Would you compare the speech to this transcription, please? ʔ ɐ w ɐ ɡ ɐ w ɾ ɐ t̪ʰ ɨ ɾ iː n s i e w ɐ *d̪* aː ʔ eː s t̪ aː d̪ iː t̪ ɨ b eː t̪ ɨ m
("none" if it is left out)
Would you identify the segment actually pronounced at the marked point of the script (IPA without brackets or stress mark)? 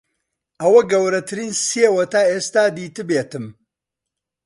t̪